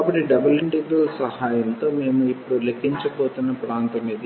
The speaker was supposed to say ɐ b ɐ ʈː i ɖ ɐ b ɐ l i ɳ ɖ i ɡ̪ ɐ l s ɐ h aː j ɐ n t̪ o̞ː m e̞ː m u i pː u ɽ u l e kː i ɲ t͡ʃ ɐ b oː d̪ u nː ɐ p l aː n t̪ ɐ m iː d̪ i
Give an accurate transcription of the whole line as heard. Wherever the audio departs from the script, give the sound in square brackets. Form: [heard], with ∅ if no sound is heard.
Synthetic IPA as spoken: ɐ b ɐ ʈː i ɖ ɐ b ɐ l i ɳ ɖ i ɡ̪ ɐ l s ɐ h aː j ɐ n t̪ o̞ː m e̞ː m u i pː u ɽ u l e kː i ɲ t͡ʃ ɐ b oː [t̪] u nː ɐ p [ɾ] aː n t̪ ɐ m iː d̪ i